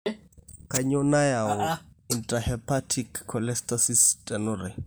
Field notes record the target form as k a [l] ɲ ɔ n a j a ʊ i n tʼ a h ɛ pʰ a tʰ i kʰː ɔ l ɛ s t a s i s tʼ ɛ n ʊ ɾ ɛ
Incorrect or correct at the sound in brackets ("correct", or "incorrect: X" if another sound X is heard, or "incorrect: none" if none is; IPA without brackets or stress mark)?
incorrect: none